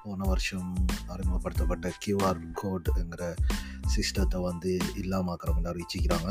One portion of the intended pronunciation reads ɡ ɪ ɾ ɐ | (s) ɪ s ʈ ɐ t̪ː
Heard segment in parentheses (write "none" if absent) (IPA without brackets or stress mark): s